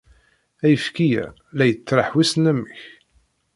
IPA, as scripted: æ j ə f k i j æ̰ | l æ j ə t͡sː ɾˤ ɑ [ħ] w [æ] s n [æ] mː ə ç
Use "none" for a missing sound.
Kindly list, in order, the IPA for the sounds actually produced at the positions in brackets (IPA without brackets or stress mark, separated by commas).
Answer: ħ, i, æ